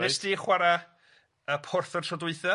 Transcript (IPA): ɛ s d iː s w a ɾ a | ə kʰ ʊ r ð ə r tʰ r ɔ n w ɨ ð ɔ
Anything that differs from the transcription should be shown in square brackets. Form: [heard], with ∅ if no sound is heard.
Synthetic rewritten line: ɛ s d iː [χ] w a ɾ a | ə [pʰ] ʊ r [θ] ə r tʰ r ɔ [d] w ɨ [θ] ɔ